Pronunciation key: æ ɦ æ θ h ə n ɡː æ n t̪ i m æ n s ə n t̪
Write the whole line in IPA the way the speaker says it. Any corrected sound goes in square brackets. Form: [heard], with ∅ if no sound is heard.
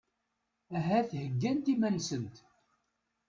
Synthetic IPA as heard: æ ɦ æ θ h ə [∅] ɡː æ n t̪ i m æ n s ə n t̪